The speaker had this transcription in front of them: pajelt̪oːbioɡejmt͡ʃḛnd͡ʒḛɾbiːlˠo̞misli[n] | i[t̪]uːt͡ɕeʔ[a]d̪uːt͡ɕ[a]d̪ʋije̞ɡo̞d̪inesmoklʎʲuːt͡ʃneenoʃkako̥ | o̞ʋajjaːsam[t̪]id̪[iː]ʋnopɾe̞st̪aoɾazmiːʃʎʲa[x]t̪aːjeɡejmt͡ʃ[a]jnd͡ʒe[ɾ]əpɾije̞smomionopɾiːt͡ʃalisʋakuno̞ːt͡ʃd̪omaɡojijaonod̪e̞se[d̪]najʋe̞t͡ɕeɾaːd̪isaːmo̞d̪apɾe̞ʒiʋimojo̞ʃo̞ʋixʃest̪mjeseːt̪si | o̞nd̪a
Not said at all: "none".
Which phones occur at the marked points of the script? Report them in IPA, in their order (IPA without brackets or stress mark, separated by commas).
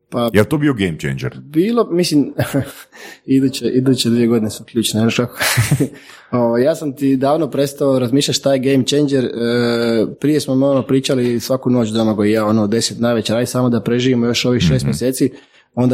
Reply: m, d̪, i, e, t̪, aː, ʃ, e, ɾ, t̪